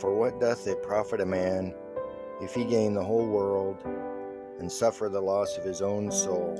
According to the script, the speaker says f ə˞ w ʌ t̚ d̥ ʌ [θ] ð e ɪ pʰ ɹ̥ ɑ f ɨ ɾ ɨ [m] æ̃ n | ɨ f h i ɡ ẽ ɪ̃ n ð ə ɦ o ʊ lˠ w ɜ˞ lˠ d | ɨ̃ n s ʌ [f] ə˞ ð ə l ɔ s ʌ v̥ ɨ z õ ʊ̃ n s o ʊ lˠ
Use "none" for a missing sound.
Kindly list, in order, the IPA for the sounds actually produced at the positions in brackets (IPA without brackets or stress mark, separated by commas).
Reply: θ, m, f